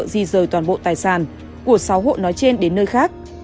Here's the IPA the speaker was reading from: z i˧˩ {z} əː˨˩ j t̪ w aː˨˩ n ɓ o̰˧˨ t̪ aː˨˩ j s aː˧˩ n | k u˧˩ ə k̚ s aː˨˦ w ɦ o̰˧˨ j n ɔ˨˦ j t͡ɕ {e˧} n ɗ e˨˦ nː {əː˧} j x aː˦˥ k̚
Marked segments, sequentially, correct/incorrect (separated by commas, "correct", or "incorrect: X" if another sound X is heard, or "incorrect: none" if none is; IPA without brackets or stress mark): correct, correct, correct